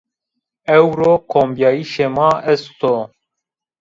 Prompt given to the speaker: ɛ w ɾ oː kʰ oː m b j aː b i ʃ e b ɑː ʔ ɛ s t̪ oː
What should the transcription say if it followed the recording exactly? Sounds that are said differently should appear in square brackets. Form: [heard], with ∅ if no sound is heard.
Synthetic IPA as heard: ɛ w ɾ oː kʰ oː m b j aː [∅] i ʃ e [m] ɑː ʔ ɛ s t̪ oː